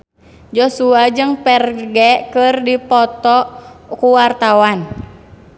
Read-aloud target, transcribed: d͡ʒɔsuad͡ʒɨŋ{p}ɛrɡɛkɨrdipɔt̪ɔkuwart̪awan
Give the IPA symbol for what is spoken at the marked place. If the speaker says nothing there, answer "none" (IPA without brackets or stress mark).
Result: p